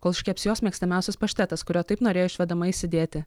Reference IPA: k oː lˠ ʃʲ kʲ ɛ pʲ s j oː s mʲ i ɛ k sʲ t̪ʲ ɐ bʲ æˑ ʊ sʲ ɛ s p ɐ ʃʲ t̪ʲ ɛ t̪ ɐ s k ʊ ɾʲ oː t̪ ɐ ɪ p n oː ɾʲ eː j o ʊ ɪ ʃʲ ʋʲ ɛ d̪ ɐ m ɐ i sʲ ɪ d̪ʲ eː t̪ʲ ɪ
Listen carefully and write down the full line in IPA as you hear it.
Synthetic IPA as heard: k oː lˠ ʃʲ kʲ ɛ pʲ s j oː s mʲ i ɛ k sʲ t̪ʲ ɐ mʲ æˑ ʊ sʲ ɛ s p ɐ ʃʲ t̪ʲ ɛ t̪ ɐ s k ʊ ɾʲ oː t̪ ɐ ɪ p n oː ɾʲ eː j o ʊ ɪ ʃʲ ʋʲ ɛ d̪ ɐ m ɐ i sʲ ɪ d̪ʲ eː t̪ʲ ɪ